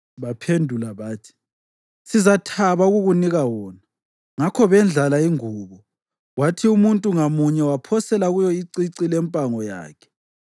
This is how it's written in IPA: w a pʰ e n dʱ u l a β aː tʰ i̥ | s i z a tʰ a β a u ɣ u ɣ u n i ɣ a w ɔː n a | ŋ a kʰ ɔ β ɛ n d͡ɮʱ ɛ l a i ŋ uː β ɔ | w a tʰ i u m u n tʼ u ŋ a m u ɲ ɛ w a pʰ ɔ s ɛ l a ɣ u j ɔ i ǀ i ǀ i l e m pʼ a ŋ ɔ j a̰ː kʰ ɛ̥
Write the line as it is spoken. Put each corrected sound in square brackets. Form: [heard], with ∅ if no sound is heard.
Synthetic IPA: [β] a pʰ e n dʱ u l a β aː tʰ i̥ | s i z a tʰ a β a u ɣ u ɣ u n i ɣ a w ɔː n a | ŋ a kʰ ɔ β ɛ n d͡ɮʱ [a] l a i ŋ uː β ɔ | w a tʰ i u m u n tʼ u ŋ a m u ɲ ɛ w a pʰ ɔ s ɛ l a ɣ u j ɔ i ǀ i ǀ i l [ɛ] m pʼ a ŋ ɔ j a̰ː kʰ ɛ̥